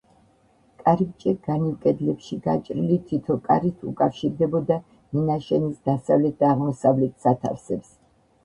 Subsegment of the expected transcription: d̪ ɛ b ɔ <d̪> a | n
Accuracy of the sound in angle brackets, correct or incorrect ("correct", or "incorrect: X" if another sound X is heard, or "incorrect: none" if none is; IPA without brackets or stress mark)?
correct